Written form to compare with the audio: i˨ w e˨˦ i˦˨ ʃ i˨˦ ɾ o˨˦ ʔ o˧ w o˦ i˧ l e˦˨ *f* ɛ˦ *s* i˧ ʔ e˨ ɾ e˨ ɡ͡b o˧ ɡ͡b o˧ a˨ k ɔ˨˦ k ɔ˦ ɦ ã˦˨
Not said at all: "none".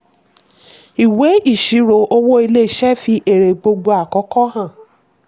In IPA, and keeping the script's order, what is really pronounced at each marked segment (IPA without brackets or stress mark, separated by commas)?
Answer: ʃ, f